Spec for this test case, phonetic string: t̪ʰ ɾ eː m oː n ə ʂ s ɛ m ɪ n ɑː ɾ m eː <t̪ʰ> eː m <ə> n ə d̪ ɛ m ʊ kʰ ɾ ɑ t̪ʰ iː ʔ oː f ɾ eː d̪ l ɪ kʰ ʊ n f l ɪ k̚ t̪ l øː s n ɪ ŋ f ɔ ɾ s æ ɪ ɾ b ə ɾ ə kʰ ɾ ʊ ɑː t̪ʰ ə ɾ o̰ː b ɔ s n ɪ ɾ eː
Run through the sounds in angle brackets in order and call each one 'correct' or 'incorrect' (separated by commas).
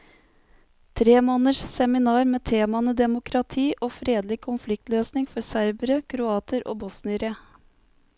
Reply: correct, incorrect